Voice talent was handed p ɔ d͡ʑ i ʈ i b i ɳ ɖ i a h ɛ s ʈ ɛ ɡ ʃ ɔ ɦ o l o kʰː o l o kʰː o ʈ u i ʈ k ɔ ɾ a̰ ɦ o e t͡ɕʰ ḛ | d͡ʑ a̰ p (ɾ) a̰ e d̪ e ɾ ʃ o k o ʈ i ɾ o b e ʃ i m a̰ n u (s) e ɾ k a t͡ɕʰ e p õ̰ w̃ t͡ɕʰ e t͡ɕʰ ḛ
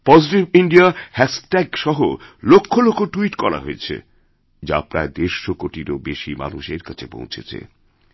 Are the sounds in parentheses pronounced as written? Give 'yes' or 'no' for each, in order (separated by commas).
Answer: yes, no